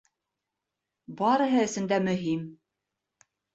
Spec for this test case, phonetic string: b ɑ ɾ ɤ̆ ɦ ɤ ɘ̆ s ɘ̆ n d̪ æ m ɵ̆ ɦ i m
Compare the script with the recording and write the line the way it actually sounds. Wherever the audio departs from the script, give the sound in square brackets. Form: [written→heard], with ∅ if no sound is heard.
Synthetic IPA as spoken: b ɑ ɾ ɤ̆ ɦ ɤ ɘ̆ s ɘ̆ n d̪ æ m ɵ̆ ɦ i m

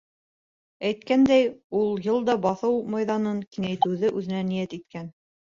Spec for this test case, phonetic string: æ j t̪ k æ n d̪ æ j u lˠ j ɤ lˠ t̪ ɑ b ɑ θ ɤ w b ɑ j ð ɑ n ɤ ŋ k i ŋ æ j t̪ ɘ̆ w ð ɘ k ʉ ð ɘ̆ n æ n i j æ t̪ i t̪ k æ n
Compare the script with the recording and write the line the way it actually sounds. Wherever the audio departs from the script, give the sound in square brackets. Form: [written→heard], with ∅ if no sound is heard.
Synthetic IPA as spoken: æ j t̪ k æ n d̪ æ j u lˠ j ɤ lˠ [t̪→d̪] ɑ b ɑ θ ɤ w [b→m] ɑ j ð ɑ n ɤ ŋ k i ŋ æ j t̪ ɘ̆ w ð ɘ [k→ʔ] ʉ ð ɘ̆ n æ n i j æ t̪ i t̪ k æ n

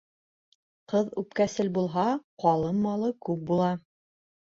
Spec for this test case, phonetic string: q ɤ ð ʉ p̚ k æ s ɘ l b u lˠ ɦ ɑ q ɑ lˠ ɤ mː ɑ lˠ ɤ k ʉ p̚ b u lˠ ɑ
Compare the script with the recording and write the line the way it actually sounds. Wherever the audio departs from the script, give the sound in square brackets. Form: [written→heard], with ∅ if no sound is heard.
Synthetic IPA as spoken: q ɤ ð ʉ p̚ k æ s ɘ l b u lˠ ɦ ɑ q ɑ lˠ ɤ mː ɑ lˠ ɤ k ʉ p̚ b u lˠ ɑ

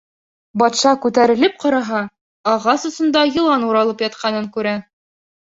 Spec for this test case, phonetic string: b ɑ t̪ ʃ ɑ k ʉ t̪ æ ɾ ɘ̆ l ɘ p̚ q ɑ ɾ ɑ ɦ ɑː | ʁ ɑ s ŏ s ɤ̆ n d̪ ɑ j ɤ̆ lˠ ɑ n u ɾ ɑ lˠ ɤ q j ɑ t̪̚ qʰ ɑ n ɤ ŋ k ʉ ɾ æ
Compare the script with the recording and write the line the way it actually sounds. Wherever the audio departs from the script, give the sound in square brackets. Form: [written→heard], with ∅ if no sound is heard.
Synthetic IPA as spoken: b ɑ t̪ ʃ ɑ k ʉ t̪ æ ɾ ɘ̆ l ɘ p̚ q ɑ ɾ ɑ ɦ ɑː | ʁ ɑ s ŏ s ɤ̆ n d̪ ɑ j ɤ̆ lˠ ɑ n u ɾ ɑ lˠ ɤ [q→p] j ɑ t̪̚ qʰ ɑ n ɤ ŋ k ʉ ɾ æ

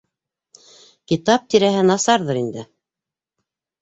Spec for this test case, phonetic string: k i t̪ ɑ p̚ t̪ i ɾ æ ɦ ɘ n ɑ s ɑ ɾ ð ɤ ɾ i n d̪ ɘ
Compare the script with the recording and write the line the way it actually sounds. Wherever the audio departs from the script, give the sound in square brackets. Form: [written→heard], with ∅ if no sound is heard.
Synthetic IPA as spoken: k i t̪ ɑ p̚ t̪ i ɾ æ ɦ ɘ n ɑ s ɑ ɾ ð ɤ ɾ i n d̪ ɘ

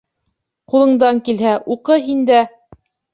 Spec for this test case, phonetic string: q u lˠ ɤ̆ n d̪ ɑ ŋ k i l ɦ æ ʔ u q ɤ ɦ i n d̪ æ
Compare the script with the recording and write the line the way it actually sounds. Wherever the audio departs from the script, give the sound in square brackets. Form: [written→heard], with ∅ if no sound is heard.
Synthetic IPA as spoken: q u lˠ ɤ̆ [n→ɴ] d̪ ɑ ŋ k i l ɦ æ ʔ u q ɤ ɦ i n d̪ æ

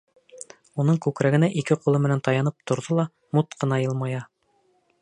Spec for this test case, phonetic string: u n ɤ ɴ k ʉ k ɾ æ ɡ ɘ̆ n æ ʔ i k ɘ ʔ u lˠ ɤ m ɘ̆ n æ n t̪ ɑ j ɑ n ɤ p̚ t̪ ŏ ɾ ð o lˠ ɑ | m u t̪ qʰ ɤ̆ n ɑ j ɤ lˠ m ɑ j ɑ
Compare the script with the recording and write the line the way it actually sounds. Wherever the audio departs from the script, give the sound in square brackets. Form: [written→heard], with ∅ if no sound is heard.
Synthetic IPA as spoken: u n ɤ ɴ k ʉ k ɾ æ ɡ ɘ̆ n æ ʔ i k ɘ [ʔ→q] u lˠ ɤ m ɘ̆ n æ n t̪ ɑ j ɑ n ɤ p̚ t̪ ŏ ɾ ð o lˠ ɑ | m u t̪ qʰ ɤ̆ n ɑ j ɤ lˠ m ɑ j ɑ

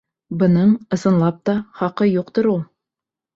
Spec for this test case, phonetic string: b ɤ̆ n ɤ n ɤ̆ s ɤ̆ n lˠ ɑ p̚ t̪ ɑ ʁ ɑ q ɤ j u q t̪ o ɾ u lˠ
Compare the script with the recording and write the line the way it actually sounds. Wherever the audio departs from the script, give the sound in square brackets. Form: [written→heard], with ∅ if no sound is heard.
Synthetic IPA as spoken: b ɤ̆ n ɤ [n→ɴ] ɤ̆ s ɤ̆ n lˠ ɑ p̚ t̪ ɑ [ʁ→χ] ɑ q ɤ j u q t̪ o ɾ u lˠ

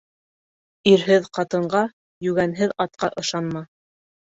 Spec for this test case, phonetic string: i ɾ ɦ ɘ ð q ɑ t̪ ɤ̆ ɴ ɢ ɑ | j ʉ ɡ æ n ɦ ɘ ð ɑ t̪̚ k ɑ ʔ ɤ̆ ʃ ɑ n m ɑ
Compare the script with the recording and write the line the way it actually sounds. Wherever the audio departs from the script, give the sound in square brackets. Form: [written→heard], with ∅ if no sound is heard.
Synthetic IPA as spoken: i ɾ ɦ ɘ ð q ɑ t̪ ɤ̆ ɴ ɢ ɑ | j ʉ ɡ æ n ɦ ɘ ð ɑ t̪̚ [k→q] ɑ ʔ ɤ̆ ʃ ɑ n m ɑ

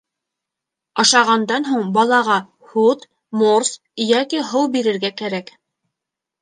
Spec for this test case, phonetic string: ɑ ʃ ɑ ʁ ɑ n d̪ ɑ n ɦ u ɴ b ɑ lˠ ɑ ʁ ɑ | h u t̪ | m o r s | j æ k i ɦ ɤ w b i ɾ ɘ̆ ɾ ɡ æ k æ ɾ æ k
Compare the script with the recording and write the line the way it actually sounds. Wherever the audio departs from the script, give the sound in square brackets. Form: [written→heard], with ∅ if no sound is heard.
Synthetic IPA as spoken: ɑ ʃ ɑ ʁ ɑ n d̪ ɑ n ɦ u ɴ b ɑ lˠ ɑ ʁ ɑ | h u t̪ | m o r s | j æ k i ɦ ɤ w b i ɾ ɘ̆ ɾ ɡ æ k æ ɾ æ k

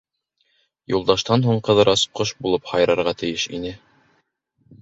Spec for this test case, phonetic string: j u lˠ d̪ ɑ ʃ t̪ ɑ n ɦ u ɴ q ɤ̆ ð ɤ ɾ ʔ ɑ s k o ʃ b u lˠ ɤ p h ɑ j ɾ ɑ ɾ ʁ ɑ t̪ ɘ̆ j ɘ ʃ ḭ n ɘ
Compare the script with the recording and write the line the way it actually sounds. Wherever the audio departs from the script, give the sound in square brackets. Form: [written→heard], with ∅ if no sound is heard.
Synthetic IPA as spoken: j u lˠ d̪ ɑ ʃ t̪ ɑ n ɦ u ɴ q ɤ̆ ð ɤ ɾ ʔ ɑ s [k→q] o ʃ b u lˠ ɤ p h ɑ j ɾ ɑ ɾ ʁ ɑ t̪ ɘ̆ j ɘ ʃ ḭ n ɘ

